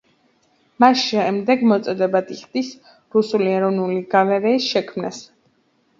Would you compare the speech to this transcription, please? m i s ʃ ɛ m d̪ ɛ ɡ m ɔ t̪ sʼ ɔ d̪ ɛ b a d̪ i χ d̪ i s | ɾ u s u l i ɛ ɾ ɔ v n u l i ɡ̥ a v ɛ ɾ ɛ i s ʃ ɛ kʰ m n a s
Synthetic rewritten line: m a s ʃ ɛ m d̪ ɛ ɡ m ɔ t̪ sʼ ɔ d̪ ɛ b a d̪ i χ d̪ i s | ɾ u s u l i ɛ ɾ ɔ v n u l i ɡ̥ a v ɛ ɾ ɛ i s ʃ ɛ kʰ m n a s